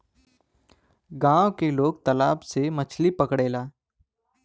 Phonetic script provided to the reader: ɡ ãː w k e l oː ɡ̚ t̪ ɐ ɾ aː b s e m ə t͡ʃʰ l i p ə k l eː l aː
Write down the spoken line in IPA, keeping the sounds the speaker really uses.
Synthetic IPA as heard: ɡ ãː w k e l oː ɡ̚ t̪ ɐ l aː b s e m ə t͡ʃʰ l i p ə k ɽ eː l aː